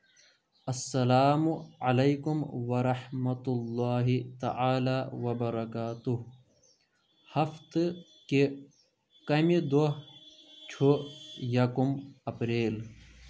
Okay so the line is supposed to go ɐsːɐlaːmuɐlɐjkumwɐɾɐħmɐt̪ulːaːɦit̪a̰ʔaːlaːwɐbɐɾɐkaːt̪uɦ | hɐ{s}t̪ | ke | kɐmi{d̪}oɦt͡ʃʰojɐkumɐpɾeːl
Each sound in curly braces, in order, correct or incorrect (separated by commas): incorrect, correct